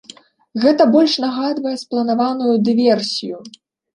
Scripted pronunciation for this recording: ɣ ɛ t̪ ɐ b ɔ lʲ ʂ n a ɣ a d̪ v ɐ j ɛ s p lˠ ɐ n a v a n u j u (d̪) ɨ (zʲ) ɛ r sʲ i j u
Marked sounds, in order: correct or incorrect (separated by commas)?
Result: correct, incorrect